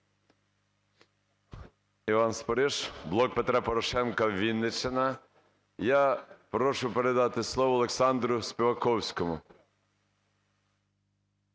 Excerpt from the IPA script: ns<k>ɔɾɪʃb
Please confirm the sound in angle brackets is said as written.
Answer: no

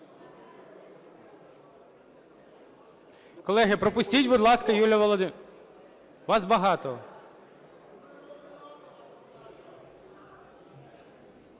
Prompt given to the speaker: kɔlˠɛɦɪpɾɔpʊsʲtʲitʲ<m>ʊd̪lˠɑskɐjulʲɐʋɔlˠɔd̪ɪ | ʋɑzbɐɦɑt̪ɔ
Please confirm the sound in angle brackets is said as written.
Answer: no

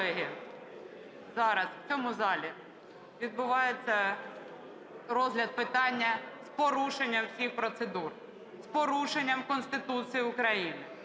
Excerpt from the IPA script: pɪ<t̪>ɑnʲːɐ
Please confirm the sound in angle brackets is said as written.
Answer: yes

